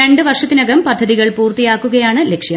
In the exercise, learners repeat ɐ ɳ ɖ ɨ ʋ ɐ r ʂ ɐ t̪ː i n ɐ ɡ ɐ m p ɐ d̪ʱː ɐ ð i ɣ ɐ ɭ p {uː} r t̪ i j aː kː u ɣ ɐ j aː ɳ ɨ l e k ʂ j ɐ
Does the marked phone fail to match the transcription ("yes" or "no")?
no